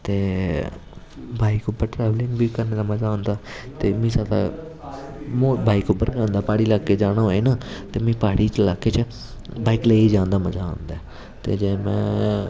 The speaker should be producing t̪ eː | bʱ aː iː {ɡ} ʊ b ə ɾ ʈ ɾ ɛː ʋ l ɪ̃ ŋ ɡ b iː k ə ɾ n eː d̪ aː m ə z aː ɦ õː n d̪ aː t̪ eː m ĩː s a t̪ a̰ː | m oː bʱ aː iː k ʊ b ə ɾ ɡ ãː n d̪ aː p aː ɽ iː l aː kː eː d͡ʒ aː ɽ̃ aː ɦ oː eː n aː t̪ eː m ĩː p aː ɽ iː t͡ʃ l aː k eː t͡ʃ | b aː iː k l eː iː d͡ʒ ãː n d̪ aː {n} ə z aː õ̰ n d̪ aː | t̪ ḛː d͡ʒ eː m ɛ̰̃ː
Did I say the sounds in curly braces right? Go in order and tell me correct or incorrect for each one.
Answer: incorrect: k, incorrect: m

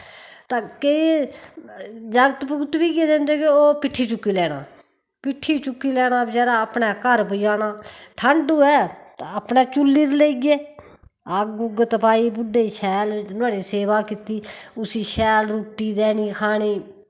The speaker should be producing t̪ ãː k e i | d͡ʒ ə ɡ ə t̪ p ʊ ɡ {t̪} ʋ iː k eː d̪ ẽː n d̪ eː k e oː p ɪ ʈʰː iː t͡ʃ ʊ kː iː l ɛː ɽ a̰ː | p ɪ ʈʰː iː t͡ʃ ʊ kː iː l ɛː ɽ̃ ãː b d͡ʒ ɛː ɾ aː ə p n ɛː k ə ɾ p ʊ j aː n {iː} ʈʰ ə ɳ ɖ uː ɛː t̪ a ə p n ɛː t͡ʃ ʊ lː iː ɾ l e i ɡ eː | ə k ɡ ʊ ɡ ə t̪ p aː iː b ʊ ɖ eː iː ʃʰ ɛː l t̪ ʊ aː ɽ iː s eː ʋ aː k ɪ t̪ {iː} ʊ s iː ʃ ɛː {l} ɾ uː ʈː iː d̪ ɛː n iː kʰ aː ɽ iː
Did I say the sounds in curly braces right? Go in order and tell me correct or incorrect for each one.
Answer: correct, incorrect: aː, correct, correct

